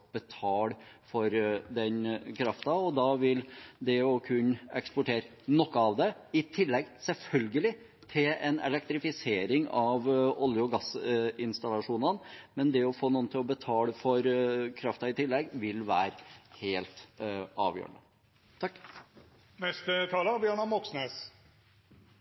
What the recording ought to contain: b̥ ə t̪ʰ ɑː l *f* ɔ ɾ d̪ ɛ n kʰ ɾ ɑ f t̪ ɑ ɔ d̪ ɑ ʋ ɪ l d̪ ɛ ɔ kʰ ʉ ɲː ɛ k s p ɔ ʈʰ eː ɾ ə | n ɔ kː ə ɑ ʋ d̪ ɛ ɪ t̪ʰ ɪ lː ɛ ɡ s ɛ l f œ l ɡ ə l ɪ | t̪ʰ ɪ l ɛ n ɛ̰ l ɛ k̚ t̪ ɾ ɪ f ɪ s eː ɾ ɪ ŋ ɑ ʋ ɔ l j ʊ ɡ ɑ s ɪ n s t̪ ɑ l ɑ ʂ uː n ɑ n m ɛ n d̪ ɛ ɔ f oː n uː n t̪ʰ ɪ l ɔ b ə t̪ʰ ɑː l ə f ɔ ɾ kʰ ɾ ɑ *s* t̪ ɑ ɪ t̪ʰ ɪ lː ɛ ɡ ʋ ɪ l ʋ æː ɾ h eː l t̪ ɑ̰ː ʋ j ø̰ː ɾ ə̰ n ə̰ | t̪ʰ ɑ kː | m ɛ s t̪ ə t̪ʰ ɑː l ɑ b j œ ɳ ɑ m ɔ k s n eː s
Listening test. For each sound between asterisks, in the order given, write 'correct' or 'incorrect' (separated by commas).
correct, incorrect